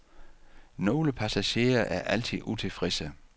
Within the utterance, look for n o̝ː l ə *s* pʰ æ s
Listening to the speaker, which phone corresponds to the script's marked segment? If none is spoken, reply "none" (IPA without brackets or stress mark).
none